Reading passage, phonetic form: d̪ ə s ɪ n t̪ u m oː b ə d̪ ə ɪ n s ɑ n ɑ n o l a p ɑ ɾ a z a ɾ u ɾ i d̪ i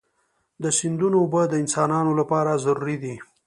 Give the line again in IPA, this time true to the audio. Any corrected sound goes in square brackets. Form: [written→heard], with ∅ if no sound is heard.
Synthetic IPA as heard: d̪ ə s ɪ n [t̪→d̪] u [m→n] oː b ə d̪ ə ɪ n s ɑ n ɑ n o l a p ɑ ɾ a z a ɾ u ɾ i d̪ i